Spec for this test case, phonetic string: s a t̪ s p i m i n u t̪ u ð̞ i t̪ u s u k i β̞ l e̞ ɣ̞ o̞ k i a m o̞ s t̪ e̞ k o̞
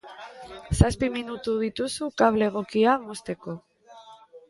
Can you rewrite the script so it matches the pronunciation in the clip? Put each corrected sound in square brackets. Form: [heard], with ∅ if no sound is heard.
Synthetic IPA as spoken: s a [∅] s p i m i n u t̪ u ð̞ i t̪ u s u k [a] β̞ l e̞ ɣ̞ o̞ k i a m o̞ s t̪ e̞ k o̞